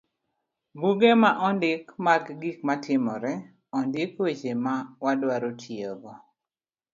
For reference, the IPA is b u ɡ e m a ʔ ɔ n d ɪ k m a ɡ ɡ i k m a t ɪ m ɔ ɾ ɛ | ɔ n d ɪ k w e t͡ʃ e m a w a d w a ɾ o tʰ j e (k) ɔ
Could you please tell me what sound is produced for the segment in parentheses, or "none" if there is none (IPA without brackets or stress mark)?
ɡ